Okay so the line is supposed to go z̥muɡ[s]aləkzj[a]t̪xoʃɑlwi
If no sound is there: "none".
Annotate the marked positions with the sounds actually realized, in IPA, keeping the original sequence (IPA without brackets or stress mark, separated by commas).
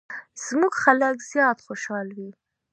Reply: x, ɑ